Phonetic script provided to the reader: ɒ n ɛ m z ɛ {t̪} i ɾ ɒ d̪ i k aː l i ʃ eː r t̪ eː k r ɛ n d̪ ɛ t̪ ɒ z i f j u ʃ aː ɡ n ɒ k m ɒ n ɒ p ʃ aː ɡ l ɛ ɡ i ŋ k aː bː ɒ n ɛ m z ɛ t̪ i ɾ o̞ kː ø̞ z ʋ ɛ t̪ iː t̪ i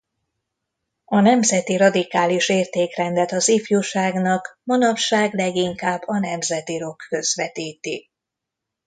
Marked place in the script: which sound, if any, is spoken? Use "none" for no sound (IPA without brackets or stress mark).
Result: t̪